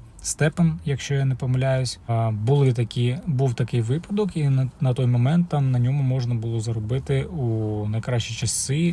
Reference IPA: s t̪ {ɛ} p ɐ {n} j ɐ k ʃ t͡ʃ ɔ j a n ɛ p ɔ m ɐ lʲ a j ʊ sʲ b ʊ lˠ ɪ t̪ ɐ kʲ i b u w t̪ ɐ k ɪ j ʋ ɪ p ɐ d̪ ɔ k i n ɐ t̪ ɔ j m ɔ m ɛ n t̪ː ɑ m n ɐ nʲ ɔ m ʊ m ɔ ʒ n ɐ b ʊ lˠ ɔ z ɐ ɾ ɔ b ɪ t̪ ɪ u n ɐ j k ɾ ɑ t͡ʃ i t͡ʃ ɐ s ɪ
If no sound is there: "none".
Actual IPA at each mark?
ɛ, n

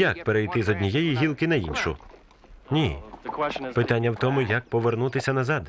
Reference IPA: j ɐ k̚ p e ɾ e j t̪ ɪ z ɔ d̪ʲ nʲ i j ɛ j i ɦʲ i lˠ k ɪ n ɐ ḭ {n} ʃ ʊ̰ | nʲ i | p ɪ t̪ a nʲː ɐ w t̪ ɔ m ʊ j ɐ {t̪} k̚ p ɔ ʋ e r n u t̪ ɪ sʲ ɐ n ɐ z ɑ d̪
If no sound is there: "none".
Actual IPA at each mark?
n, none

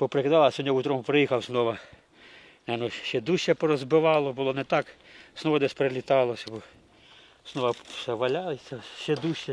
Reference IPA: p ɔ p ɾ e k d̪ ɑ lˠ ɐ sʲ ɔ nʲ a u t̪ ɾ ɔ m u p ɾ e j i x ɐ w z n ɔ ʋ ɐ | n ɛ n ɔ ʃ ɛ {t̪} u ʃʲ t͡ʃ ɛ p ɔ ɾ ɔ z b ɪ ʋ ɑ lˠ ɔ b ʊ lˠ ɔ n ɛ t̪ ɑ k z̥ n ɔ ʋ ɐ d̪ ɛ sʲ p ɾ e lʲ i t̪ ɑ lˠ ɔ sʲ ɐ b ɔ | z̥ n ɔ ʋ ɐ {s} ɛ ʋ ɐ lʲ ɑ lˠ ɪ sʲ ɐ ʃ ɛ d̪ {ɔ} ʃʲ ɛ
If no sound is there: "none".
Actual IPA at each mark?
d̪, s, u

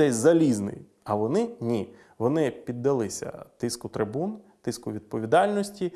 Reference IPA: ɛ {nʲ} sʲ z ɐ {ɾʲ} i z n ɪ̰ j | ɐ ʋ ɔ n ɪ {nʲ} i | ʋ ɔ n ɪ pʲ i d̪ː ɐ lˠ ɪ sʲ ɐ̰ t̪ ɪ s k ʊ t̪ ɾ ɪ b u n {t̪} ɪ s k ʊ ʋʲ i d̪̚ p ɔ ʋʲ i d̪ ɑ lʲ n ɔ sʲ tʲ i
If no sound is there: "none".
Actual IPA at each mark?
none, lʲ, nʲ, t̪

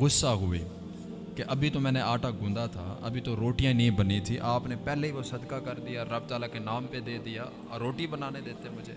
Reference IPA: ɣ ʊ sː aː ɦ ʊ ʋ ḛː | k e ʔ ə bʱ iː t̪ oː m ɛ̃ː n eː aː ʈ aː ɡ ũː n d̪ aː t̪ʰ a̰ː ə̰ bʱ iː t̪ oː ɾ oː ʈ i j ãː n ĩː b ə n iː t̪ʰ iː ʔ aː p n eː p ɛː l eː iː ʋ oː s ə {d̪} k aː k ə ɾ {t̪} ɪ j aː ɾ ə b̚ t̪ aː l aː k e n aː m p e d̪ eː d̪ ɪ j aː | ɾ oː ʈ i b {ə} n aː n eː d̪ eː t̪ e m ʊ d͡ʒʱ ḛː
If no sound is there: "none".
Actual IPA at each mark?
d̪, d̪, ə

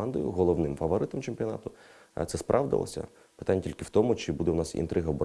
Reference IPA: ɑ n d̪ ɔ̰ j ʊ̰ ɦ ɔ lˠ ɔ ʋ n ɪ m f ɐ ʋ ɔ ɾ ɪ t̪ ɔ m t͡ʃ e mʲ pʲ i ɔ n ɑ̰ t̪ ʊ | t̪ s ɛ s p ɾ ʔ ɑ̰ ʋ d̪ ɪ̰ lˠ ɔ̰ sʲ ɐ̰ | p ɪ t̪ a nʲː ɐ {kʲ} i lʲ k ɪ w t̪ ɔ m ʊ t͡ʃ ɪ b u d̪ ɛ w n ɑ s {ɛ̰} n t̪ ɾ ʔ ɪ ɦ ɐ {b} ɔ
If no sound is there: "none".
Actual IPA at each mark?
tʲ, ḭ, b

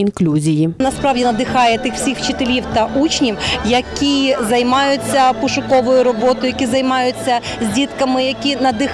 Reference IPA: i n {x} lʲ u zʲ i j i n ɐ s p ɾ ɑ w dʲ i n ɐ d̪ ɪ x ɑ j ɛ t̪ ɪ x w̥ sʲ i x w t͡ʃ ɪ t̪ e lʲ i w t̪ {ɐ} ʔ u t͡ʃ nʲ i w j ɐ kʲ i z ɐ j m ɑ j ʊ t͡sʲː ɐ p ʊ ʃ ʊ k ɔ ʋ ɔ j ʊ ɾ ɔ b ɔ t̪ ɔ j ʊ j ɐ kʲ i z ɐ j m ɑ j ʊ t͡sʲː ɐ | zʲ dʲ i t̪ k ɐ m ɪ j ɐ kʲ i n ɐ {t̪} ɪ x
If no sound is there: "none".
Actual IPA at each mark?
k, ɐ, d̪

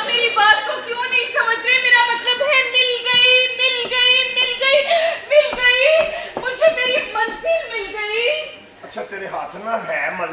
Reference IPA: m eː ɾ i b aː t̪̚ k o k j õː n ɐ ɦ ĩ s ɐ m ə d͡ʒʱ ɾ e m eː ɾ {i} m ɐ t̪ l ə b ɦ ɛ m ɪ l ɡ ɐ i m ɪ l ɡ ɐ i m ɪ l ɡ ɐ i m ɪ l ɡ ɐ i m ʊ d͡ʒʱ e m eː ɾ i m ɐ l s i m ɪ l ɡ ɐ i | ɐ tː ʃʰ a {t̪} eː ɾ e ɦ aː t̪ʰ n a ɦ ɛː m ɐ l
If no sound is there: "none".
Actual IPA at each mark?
a, t̪

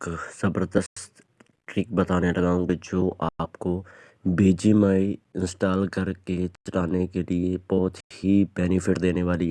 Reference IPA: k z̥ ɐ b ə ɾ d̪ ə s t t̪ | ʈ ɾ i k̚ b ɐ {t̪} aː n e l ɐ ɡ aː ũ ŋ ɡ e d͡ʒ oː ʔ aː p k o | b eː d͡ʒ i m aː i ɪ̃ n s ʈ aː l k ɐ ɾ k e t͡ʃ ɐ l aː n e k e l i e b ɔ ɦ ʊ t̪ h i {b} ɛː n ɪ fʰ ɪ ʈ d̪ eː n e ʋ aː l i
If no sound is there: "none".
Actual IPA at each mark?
t̪, b

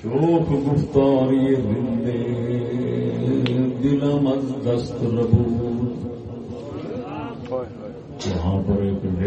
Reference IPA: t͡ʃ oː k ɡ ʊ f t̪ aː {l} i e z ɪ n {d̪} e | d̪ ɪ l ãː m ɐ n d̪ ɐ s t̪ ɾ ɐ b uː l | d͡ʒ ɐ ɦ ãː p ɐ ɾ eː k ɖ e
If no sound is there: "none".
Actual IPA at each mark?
ɾ, d̪

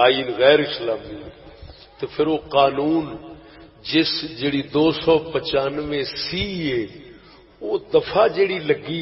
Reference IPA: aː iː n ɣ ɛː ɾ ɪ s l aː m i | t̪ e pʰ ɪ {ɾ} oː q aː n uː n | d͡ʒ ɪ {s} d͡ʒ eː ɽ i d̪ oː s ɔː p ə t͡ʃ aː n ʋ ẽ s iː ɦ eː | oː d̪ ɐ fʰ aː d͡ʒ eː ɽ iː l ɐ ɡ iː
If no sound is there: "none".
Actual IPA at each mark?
ɾ, s

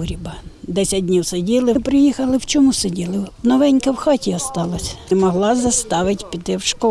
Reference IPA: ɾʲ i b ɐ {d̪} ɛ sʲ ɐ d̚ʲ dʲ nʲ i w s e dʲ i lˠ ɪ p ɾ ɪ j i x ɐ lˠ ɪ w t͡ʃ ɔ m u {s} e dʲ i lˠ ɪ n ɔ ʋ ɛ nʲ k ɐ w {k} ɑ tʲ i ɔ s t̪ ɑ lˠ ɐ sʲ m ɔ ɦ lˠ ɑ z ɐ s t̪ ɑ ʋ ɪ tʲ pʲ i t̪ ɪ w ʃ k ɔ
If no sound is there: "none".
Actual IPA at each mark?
d̪, s, x

